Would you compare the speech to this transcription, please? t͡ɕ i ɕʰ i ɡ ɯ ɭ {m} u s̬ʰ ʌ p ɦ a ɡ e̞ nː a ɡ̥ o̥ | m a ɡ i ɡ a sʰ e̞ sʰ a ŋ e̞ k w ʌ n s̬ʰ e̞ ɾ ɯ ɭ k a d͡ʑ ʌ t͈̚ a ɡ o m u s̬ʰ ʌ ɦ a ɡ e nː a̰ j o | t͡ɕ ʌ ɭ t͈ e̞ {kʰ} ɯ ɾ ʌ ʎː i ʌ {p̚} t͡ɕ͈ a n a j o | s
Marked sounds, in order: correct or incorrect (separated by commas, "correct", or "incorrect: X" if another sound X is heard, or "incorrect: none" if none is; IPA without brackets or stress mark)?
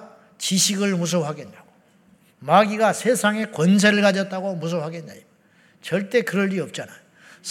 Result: correct, incorrect: k, correct